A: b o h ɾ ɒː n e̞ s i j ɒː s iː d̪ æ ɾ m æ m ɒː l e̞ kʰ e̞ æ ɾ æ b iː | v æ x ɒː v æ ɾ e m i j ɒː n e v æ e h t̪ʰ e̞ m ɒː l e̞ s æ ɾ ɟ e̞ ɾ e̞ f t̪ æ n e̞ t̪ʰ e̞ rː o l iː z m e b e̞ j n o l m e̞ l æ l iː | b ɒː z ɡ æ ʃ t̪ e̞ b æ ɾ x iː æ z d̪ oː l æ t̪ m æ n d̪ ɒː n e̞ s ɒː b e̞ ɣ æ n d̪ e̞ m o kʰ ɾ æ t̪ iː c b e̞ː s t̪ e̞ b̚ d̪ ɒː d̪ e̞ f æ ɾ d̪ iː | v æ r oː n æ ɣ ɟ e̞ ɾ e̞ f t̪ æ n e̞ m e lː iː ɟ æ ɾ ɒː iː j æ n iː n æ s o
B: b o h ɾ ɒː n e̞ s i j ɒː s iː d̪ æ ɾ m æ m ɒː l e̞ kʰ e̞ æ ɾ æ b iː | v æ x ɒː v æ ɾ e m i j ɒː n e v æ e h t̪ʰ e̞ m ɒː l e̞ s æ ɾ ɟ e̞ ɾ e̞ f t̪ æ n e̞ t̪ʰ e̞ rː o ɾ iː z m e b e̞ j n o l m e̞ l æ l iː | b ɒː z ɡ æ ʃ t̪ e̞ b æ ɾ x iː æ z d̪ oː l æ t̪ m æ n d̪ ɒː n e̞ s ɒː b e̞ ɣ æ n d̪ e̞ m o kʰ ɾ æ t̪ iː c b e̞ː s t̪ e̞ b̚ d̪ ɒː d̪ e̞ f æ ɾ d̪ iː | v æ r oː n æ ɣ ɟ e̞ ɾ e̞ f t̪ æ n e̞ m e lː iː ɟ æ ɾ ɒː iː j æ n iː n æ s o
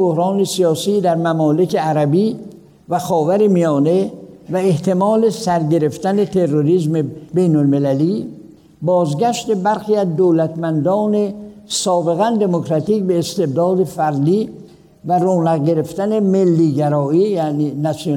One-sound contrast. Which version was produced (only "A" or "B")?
B